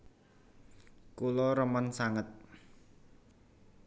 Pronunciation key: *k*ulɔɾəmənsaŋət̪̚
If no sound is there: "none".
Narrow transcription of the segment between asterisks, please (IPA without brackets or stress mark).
k